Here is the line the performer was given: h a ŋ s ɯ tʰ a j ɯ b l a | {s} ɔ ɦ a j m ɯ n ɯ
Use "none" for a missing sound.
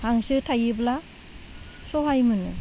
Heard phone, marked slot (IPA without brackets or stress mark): s